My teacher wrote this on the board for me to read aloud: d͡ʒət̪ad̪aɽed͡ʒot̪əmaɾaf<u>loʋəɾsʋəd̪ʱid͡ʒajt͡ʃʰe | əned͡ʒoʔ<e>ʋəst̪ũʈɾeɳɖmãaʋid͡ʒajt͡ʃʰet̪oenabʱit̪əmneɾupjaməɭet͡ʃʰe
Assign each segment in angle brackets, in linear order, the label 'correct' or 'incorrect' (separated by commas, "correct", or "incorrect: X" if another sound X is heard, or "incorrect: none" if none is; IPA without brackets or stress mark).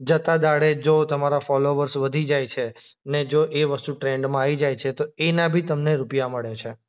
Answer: incorrect: ɔ, correct